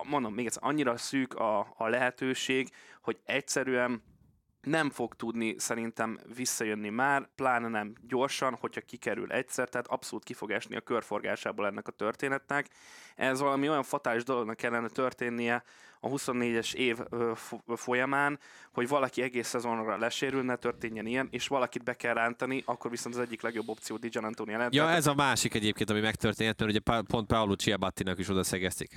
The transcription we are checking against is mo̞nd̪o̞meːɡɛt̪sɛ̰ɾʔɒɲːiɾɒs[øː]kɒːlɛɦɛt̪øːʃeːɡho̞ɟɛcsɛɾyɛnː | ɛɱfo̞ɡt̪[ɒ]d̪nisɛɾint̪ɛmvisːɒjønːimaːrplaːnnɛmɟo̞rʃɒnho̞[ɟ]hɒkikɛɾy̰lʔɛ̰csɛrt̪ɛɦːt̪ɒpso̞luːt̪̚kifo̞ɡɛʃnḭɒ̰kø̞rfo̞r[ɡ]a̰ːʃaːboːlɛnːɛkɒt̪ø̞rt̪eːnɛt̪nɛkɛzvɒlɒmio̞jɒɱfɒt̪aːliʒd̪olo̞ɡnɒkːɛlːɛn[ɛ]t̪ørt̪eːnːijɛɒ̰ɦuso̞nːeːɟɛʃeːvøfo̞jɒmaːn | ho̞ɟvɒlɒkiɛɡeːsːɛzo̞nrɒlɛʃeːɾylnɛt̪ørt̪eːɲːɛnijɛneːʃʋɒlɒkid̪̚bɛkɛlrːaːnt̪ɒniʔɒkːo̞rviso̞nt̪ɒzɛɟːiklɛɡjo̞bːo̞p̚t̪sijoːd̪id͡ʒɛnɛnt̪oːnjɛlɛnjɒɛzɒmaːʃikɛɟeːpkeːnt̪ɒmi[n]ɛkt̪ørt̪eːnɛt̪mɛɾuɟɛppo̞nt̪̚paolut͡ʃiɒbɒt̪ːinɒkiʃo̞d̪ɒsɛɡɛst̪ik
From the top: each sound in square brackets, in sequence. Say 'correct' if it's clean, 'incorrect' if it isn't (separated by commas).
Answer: incorrect, incorrect, incorrect, correct, correct, incorrect